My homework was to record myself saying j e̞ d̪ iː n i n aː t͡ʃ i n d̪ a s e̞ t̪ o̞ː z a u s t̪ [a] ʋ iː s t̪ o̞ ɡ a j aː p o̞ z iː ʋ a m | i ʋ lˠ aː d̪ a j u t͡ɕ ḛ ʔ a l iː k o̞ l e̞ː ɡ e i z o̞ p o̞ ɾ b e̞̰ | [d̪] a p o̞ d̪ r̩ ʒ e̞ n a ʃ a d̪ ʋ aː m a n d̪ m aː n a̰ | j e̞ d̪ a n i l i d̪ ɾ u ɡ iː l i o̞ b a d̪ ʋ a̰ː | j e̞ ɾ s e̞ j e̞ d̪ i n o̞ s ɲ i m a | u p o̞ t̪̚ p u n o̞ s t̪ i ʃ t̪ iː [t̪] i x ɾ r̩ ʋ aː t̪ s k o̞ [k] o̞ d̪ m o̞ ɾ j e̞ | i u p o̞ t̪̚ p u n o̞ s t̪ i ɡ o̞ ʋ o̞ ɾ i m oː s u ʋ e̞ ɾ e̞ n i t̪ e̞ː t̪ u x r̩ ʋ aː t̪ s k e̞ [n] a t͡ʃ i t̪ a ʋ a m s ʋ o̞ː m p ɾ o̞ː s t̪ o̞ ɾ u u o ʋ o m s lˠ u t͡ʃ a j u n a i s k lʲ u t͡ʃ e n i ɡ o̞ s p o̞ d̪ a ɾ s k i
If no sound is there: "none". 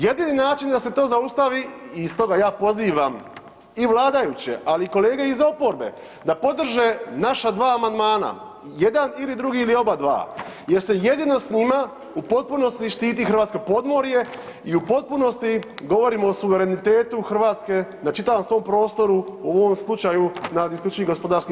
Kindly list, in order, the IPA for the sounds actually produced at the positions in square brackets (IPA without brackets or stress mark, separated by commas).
a, d̪, t̪, p, n